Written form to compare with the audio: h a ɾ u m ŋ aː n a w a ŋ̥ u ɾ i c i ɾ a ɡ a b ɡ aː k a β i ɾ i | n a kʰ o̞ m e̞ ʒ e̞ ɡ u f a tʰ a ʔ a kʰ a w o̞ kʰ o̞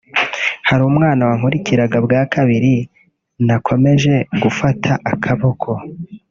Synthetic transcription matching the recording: h a ɾ u m ŋ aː n a w a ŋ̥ u ɾ i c i ɾ a ɡ a b ɡ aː k a β i ɾ i | n a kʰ o̞ m e̞ ʒ e̞ ɡ u f a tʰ a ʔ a kʰ a β o̞ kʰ o̞